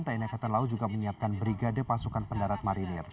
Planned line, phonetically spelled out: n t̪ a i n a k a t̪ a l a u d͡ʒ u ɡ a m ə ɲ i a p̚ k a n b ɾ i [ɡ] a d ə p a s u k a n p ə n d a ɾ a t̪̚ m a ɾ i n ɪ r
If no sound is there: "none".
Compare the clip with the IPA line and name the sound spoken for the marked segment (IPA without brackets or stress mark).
ɡ